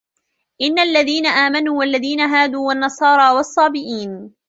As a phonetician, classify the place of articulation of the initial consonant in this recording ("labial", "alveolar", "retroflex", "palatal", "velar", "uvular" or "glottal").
glottal